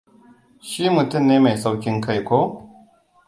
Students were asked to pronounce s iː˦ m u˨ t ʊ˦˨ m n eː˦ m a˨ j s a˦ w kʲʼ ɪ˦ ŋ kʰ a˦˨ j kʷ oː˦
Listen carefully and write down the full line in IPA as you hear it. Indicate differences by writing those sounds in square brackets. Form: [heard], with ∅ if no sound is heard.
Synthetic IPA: [ʃ] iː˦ m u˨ t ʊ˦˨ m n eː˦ m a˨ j s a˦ w [kʲ] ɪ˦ ŋ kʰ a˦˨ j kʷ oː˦